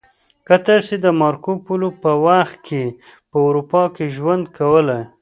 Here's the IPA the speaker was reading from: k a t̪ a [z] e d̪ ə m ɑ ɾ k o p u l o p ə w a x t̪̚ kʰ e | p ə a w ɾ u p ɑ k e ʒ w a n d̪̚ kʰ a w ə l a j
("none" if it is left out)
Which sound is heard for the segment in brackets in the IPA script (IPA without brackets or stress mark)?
s